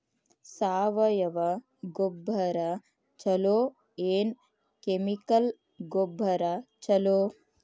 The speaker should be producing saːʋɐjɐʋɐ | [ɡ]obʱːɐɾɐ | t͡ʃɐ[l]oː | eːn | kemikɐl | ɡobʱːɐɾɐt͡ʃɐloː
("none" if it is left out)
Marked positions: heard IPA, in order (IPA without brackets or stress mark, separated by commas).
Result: ɡ, l